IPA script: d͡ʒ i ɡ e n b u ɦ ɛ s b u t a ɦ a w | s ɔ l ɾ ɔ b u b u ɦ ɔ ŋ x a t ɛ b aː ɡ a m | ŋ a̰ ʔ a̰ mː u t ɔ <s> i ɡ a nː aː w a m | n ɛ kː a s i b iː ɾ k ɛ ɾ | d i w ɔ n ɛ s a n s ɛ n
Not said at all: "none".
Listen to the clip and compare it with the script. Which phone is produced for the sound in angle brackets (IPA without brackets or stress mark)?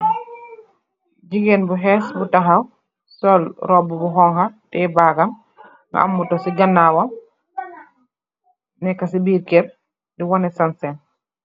s